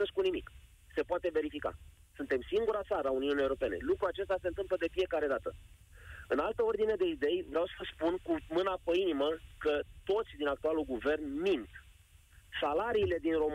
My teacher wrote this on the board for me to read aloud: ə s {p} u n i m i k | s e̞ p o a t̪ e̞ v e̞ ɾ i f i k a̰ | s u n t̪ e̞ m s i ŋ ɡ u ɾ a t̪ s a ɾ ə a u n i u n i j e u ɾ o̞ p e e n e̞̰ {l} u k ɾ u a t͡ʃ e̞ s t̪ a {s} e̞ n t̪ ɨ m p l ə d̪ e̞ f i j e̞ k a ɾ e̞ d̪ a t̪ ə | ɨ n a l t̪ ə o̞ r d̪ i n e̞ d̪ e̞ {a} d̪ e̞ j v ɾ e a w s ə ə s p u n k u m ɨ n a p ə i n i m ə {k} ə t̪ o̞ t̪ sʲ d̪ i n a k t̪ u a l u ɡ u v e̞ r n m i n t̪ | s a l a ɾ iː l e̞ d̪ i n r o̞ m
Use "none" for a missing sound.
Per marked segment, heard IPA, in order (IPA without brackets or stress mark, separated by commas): k, l, s, i, k